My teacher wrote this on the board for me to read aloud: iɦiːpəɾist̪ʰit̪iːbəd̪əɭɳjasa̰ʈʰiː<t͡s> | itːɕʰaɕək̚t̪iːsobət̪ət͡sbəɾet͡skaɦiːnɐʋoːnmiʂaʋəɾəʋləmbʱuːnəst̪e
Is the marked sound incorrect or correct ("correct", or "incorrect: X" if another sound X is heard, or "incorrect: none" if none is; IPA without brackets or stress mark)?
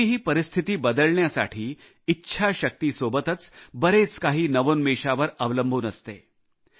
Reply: incorrect: none